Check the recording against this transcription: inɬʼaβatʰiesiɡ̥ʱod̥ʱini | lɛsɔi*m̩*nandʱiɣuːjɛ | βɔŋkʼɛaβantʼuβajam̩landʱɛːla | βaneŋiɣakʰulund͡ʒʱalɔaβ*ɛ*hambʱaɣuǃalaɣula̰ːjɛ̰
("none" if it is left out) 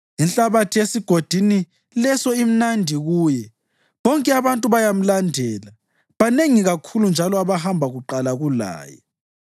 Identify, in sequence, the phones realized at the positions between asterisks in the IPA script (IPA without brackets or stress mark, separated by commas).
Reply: m̩, a